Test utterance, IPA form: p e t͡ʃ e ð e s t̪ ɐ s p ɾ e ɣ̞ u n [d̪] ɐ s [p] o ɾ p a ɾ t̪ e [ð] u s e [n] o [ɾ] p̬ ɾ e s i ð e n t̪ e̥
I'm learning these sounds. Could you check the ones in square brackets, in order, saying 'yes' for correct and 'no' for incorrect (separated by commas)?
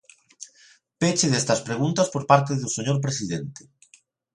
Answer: no, yes, yes, no, yes